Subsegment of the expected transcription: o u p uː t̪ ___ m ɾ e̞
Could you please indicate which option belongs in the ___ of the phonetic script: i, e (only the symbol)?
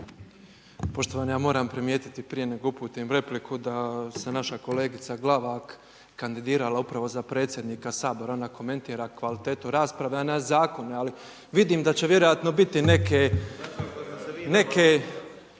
i